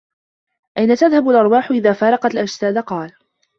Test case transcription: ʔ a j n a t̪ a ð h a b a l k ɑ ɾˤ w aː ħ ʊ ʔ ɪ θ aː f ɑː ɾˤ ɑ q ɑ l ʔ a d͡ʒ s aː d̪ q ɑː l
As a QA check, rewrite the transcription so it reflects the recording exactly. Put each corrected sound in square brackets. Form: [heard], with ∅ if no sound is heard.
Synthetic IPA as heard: ʔ a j n a t̪ a ð h a b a l [ʔ] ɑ ɾˤ w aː ħ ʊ ʔ ɪ [ð] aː f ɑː ɾˤ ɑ q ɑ l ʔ a d͡ʒ s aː d̪ q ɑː l